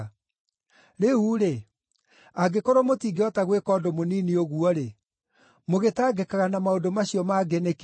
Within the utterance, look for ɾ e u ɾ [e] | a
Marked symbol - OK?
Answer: yes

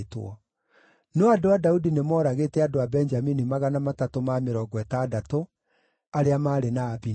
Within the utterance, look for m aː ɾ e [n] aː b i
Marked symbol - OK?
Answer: yes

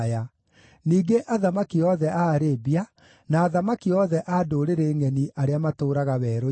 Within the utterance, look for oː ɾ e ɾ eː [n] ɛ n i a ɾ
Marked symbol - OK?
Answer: no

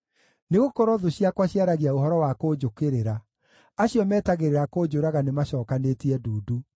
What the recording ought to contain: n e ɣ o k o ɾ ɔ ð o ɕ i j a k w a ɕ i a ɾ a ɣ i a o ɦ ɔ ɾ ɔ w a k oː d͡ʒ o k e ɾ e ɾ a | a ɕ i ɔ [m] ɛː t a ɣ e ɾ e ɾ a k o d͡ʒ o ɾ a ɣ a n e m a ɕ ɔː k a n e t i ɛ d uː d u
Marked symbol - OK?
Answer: yes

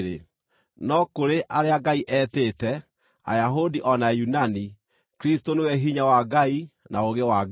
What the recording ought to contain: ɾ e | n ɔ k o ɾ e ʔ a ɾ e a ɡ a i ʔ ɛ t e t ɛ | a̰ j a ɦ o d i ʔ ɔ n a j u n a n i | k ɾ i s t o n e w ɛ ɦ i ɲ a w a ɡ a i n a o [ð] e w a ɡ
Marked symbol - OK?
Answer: no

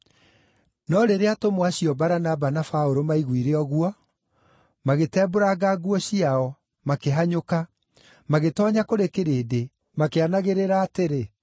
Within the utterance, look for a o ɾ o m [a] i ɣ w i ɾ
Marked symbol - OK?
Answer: yes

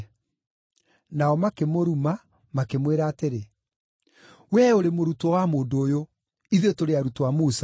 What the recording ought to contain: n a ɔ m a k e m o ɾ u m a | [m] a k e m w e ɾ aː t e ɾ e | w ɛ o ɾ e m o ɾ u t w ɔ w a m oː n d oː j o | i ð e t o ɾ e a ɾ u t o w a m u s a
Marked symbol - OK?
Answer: yes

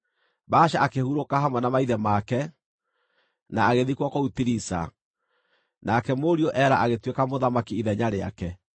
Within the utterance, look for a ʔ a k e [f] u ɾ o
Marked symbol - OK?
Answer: no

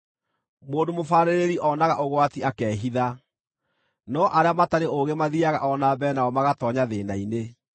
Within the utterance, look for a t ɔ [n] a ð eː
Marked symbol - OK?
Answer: no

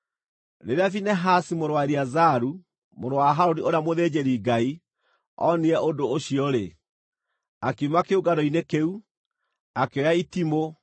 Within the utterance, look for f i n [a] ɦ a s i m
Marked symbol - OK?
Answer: no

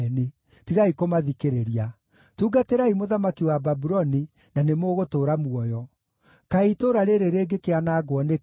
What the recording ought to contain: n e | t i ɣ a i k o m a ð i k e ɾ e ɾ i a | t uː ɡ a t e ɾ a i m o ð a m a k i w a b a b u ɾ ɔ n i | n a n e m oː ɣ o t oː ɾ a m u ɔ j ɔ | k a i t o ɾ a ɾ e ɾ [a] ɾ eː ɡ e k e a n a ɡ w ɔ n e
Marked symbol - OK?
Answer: no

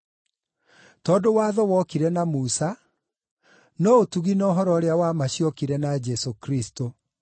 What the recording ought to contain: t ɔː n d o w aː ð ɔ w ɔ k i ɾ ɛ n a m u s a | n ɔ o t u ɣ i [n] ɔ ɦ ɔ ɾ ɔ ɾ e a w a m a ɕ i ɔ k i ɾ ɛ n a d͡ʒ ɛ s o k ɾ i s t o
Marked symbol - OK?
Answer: yes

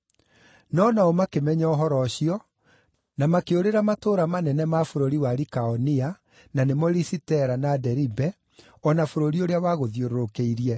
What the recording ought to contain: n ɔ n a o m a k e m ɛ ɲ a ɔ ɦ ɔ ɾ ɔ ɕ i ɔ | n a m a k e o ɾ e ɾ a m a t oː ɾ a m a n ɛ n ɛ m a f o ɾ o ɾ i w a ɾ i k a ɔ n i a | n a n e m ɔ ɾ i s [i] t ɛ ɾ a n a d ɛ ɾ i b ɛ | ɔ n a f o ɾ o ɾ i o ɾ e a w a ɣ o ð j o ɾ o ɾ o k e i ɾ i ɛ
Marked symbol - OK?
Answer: yes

